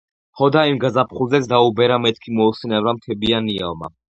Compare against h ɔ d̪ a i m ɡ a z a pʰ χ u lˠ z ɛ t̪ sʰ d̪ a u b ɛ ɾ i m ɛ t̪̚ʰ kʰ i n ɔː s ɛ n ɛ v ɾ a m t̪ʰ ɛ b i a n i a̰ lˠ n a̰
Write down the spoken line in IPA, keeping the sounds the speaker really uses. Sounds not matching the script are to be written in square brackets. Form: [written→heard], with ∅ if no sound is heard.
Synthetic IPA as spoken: h ɔ d̪ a i m ɡ a z a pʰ χ u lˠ z ɛ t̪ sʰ d̪ a u b ɛ ɾ [i→a] m ɛ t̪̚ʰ kʰ i [n→m] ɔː s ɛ n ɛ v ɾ a m t̪ʰ ɛ b i a n i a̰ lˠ [n→m] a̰